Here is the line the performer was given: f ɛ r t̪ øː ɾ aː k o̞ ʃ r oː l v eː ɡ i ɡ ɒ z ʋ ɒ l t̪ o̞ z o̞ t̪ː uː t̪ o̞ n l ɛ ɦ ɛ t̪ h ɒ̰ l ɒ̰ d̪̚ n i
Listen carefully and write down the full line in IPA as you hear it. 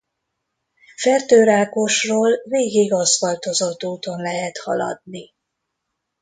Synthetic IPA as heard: f ɛ r t̪ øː ɾ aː k o̞ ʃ r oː l v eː ɡ i ɡ ɒ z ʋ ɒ l t̪ o̞ z o̞ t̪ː uː t̪ o̞ n l ɛ ɦ ɛ t̪ h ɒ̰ l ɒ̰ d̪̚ n i